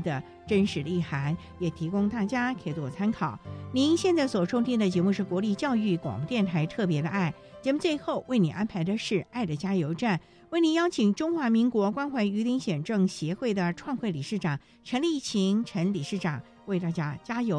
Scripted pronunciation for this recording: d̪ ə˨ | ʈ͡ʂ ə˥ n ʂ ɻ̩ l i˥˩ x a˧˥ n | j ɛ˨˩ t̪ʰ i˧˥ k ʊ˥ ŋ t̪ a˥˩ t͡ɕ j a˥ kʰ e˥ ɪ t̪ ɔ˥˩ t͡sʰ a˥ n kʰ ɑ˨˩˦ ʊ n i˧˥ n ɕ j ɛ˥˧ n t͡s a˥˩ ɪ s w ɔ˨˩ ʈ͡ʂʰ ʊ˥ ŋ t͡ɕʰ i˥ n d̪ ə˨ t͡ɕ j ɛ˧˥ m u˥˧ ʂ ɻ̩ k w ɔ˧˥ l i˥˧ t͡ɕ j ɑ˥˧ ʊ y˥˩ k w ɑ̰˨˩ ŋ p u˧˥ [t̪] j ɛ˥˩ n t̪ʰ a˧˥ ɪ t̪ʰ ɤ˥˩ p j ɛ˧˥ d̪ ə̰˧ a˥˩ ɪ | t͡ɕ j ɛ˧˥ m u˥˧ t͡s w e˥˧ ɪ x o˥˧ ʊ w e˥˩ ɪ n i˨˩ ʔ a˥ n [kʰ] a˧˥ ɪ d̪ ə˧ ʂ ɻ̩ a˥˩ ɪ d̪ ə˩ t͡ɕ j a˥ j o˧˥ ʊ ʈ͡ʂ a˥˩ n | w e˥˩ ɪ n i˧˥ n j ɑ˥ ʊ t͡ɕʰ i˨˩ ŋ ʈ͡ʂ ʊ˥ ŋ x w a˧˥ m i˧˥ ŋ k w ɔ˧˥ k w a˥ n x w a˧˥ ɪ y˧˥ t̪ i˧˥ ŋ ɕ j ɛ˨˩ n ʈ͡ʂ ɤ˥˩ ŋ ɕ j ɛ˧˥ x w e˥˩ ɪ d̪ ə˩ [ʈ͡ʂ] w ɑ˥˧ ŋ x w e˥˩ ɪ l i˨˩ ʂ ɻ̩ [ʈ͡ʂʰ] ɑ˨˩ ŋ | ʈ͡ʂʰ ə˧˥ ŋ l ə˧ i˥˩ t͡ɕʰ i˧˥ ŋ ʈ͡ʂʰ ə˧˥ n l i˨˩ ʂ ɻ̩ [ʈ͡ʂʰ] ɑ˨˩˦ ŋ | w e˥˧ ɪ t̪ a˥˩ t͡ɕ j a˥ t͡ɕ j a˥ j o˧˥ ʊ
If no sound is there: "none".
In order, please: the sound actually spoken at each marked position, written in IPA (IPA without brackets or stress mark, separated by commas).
t̪, pʰ, ʈ͡ʂʰ, ʈ͡ʂ, ʈ͡ʂ